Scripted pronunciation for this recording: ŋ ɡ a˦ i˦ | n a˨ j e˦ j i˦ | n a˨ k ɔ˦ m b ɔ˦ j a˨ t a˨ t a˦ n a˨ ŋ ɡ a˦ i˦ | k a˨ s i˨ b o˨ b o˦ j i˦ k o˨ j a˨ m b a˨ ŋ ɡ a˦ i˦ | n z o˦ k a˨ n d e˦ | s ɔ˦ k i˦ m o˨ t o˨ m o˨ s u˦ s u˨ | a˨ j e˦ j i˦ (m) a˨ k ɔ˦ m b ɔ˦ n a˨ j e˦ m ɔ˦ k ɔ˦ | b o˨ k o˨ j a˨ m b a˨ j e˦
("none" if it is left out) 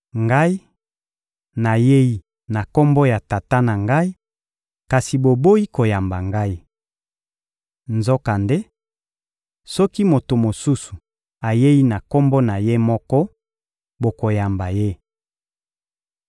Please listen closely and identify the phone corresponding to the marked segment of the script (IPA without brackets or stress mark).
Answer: n